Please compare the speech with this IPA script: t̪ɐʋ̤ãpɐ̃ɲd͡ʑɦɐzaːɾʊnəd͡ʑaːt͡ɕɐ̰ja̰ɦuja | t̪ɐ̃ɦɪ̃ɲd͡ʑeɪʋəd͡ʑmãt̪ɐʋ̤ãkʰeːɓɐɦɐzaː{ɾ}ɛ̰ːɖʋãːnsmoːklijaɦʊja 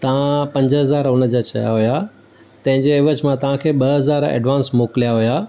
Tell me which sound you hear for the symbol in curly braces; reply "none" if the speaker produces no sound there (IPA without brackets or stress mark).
ɾ